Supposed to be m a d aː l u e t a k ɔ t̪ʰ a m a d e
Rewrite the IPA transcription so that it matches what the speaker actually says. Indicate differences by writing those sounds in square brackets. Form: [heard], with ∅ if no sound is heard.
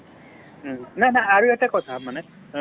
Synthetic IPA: [n] a [n] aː [ɹ] u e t a k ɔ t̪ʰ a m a [n] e